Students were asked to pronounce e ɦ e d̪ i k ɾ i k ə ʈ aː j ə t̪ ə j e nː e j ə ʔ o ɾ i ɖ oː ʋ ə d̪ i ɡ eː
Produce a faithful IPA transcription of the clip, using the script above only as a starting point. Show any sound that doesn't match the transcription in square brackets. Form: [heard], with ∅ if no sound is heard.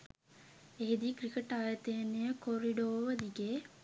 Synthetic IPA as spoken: e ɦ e d̪ i k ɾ i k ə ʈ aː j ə t̪ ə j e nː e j ə [k] o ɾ i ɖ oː ʋ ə d̪ i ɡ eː